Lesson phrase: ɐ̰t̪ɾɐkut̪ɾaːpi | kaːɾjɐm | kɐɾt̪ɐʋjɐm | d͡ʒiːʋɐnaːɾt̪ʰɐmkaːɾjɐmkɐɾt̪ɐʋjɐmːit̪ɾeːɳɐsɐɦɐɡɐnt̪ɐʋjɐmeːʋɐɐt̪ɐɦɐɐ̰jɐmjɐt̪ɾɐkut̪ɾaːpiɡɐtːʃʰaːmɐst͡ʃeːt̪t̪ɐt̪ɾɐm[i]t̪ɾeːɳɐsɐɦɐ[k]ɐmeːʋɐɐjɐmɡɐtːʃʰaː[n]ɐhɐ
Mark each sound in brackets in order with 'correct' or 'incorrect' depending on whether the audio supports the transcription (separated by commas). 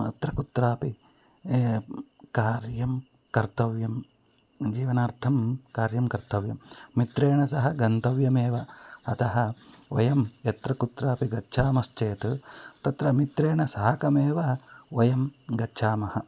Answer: correct, correct, incorrect